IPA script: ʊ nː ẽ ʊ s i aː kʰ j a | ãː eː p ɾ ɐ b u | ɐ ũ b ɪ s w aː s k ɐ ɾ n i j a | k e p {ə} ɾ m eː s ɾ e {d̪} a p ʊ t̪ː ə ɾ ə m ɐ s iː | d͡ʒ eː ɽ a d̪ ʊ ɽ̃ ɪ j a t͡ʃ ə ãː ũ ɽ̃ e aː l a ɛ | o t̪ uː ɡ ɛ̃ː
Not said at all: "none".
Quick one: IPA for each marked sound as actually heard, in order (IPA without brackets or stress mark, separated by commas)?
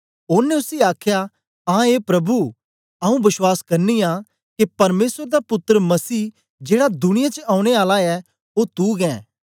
ɐ, d̪